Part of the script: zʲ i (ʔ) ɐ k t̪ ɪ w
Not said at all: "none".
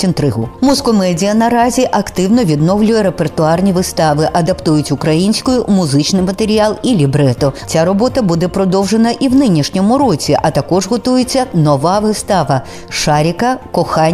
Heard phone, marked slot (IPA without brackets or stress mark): ʔ